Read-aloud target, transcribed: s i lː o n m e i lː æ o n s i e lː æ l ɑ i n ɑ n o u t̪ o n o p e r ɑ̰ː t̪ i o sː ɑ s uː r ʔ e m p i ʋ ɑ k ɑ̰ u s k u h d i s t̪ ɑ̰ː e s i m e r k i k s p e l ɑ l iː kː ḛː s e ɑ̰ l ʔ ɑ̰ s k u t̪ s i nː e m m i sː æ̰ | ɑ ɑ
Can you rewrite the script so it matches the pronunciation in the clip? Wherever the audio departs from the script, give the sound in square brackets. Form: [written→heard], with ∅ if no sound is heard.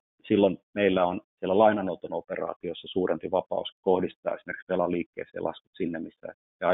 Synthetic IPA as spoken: s i lː o n m e i lː æ o n s i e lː æ l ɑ i n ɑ n o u t̪ o n o p e r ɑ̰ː t̪ i o sː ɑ s uː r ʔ e m p i ʋ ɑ [k→p] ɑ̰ u s k [u→o] h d i s t̪ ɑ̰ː e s i m e r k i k s p e l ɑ l iː kː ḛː s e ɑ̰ l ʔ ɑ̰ s k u t̪ s i nː e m m i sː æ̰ | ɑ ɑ